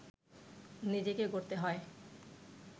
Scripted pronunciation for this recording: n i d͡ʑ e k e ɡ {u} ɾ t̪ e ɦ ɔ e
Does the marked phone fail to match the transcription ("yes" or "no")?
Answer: yes